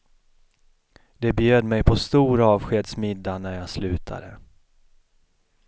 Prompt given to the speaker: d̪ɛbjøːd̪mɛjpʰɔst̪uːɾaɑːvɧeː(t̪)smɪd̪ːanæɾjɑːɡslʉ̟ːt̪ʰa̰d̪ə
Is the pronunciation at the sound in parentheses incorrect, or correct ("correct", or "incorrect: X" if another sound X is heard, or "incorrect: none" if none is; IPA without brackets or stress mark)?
incorrect: d̪